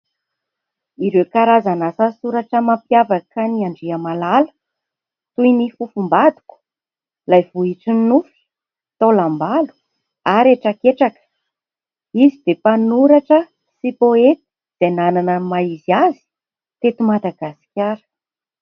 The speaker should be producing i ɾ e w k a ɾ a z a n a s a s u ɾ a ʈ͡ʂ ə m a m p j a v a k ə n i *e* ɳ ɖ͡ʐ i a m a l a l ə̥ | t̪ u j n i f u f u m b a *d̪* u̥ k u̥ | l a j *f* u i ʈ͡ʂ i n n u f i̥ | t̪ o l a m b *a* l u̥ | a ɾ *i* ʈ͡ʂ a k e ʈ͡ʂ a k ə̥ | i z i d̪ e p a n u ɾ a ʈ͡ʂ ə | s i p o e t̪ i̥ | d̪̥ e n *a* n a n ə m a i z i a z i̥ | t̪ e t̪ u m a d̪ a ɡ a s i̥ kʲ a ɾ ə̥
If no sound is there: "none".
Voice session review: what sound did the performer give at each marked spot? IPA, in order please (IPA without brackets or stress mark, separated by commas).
a, d̪, v, a, e, a